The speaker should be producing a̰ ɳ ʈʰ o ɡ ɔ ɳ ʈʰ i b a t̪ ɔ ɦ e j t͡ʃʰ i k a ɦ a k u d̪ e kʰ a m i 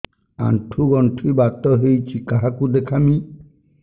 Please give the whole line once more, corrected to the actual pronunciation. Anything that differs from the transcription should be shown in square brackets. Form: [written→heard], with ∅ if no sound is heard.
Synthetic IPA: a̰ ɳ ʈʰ [o→u] ɡ ɔ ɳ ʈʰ i b a t̪ ɔ ɦ e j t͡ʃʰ i k a ɦ a k u d̪ e kʰ a m i